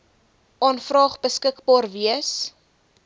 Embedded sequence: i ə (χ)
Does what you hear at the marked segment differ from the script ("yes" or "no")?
yes